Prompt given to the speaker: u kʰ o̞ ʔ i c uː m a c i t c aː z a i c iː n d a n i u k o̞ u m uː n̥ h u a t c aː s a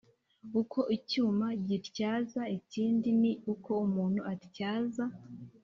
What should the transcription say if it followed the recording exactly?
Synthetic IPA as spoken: u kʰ o̞ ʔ i c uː m a ɟ i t c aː z a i c iː n d i n i u k o̞ u m uː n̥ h u a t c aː z a